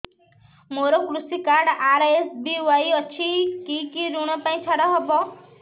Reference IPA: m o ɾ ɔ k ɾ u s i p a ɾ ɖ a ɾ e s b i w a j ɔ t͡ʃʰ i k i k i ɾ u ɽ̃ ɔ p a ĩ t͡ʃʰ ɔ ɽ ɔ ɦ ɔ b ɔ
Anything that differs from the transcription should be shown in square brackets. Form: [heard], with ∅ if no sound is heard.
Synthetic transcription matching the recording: m o ɾ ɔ k ɾ u s i [k] a ɾ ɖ a ɾ e s b i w a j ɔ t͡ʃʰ i k i k i ɾ u ɽ̃ ɔ p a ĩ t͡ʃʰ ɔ ɽ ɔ ɦ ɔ b ɔ